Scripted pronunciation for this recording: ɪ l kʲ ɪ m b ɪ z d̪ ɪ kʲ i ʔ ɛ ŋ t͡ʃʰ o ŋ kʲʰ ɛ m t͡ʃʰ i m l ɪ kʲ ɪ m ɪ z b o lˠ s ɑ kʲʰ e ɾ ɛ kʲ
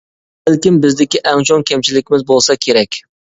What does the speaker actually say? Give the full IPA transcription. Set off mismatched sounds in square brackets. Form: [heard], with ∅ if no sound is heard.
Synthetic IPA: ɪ l kʲ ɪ m b ɪ z d̪ ɪ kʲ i ʔ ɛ ŋ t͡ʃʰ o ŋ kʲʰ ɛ m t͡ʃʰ i [∅] l ɪ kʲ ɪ m ɪ z b o lˠ s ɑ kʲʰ e ɾ ɛ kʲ